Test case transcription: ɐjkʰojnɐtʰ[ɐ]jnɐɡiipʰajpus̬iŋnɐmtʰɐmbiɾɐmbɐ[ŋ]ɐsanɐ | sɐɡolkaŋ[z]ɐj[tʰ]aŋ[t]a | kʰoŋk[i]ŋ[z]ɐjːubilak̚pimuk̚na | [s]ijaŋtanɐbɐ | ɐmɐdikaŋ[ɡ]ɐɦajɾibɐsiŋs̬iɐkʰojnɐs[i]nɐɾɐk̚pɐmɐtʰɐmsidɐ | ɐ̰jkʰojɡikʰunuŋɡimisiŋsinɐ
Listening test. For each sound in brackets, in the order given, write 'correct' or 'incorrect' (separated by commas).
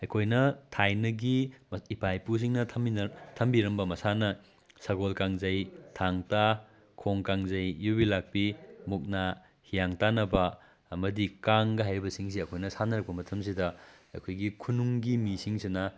incorrect, incorrect, correct, correct, correct, incorrect, correct, incorrect, correct, incorrect